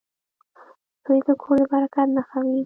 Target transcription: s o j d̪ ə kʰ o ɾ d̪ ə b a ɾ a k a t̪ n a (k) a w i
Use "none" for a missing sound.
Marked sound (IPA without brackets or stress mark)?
x